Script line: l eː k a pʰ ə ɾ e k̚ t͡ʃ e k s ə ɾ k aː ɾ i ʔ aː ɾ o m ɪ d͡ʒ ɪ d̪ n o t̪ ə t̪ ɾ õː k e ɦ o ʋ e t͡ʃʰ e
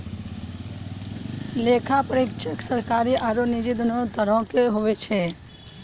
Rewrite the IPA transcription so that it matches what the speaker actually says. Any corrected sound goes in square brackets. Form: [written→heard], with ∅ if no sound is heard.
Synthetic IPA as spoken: l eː [k→kʰ] a [pʰ→p] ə ɾ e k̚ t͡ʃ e k s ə ɾ k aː ɾ i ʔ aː ɾ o [m→n] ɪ d͡ʒ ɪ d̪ n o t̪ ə [t̪→∅] ɾ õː k e ɦ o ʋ e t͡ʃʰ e